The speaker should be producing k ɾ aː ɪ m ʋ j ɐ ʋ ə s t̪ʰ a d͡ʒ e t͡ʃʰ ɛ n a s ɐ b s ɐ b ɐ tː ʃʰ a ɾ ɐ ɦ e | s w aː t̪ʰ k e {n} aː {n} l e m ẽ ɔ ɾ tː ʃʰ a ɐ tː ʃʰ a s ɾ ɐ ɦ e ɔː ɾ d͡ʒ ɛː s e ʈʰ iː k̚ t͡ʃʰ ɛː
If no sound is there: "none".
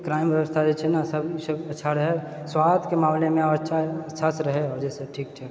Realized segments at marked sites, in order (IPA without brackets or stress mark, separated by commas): m, m